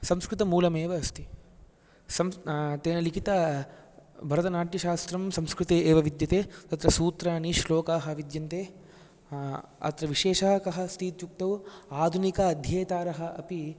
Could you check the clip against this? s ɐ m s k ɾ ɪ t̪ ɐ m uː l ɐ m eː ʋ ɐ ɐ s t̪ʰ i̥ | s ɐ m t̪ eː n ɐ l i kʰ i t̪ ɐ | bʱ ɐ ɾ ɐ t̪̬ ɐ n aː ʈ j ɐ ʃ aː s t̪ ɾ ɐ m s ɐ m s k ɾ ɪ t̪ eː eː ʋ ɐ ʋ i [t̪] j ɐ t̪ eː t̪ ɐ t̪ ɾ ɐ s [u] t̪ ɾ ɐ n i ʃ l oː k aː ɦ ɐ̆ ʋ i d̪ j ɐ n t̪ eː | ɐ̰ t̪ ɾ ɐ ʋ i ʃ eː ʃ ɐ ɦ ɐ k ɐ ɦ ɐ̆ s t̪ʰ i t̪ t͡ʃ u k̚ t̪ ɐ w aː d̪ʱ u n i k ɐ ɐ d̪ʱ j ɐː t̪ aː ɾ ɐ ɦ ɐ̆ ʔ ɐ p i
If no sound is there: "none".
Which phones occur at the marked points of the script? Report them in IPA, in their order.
d̪, uː

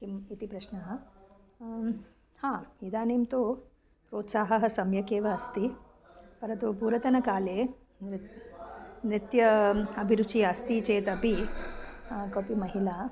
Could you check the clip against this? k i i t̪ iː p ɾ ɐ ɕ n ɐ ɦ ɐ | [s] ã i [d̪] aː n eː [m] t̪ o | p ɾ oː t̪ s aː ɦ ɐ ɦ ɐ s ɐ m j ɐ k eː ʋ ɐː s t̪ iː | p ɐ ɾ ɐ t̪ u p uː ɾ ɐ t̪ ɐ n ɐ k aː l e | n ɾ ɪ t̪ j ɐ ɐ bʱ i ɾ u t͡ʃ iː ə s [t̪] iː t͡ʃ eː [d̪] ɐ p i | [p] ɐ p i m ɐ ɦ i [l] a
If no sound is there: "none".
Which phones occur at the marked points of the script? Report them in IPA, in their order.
h, d̪, m, t̪, t̪, k, l

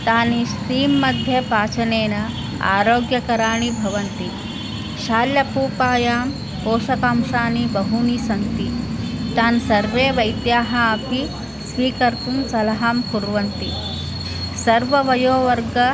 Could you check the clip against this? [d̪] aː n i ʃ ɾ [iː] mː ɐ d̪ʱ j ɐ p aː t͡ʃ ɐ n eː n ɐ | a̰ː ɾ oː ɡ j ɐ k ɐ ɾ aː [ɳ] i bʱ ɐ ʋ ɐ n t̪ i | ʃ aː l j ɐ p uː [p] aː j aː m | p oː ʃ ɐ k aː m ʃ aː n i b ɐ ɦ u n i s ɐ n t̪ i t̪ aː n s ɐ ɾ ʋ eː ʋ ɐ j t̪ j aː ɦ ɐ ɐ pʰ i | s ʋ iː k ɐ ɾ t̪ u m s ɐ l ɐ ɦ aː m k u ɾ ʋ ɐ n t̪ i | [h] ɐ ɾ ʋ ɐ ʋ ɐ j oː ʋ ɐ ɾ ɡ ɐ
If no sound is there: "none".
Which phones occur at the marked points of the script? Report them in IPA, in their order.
t̪, iː, ɳ, p, s

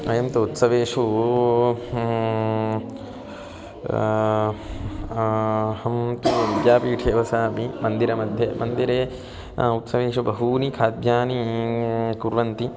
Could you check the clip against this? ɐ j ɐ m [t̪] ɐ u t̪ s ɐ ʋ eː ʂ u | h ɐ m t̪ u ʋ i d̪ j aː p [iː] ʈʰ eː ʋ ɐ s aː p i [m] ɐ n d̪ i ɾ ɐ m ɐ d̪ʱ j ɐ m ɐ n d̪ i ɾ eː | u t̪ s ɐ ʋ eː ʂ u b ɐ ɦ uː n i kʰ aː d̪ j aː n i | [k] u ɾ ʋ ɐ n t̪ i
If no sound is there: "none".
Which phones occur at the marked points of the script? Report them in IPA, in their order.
t̪, iː, m, k

